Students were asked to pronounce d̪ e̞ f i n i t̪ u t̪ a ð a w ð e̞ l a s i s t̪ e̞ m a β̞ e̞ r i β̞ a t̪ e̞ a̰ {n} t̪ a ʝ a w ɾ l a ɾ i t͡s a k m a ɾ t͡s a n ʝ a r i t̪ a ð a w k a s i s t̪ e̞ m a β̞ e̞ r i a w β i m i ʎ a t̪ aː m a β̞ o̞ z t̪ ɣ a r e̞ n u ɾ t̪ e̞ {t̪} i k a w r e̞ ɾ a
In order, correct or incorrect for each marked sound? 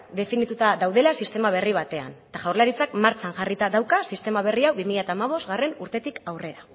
correct, correct

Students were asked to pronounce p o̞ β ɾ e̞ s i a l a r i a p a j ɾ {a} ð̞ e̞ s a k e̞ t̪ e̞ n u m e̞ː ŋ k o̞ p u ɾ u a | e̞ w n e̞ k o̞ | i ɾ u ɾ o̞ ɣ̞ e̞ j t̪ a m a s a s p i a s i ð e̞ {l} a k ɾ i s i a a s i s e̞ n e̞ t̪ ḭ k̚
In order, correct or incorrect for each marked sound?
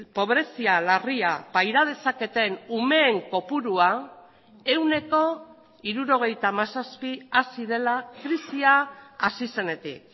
correct, correct

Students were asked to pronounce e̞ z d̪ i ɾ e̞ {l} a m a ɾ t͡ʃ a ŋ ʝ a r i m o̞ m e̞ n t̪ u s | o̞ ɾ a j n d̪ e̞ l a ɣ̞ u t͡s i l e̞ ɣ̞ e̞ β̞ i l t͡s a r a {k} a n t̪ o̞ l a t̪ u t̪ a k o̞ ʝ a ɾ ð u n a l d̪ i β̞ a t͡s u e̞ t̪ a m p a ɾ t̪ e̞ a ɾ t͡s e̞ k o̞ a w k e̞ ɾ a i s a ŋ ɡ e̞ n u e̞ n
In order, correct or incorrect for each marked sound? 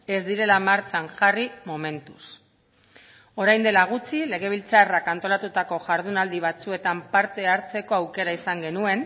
correct, correct

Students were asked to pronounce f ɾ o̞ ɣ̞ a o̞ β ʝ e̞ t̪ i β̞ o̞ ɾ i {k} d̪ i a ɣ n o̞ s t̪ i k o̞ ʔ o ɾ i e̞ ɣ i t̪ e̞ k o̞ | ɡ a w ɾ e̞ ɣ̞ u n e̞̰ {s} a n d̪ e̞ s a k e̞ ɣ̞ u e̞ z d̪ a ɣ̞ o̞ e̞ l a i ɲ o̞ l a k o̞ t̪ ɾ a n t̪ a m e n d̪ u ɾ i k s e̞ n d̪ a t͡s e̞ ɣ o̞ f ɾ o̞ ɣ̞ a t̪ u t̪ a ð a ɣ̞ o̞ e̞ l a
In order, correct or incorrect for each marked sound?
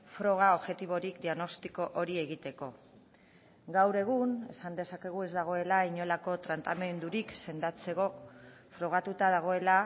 correct, correct

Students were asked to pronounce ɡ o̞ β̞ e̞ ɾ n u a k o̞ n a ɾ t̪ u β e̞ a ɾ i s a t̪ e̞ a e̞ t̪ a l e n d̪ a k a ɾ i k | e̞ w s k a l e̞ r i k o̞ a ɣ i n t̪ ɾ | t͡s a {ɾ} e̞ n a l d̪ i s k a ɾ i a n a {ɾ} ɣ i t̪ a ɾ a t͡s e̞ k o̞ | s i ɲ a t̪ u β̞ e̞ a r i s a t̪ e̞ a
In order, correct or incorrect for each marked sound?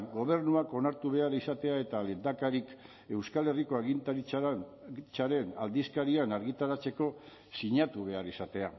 correct, correct

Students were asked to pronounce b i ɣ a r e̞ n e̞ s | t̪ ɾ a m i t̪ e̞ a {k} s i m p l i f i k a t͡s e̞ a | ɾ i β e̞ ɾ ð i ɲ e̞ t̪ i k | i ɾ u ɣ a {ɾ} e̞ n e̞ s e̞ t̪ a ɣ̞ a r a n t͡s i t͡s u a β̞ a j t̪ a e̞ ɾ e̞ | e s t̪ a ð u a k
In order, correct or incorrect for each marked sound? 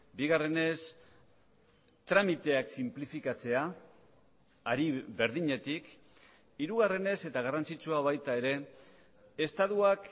correct, incorrect

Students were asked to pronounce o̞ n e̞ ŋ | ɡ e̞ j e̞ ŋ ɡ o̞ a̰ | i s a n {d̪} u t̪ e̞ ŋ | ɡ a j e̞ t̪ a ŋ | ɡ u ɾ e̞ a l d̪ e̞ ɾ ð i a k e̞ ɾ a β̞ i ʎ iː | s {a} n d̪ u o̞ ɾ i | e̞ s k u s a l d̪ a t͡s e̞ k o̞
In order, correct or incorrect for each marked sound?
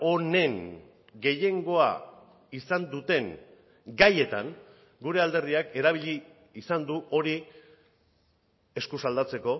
correct, correct

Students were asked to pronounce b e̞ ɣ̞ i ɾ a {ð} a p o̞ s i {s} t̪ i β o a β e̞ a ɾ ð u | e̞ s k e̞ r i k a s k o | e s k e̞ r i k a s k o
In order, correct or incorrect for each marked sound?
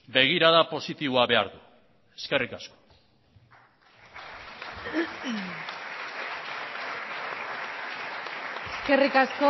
correct, incorrect

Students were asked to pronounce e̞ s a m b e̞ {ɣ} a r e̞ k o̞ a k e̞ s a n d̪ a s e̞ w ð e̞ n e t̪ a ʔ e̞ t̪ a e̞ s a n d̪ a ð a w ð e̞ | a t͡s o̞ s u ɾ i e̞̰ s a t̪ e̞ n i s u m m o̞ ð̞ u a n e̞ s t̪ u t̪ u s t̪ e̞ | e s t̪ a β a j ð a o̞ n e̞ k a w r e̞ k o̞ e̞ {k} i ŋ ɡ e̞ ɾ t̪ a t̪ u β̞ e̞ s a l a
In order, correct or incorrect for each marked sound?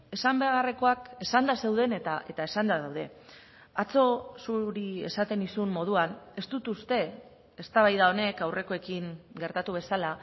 correct, correct

